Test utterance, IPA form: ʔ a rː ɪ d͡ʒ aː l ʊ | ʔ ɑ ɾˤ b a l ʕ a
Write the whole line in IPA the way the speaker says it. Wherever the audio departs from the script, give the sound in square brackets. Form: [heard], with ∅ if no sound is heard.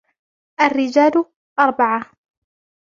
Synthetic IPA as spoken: ʔ a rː ɪ d͡ʒ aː l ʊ | ʔ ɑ ɾˤ b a [∅] ʕ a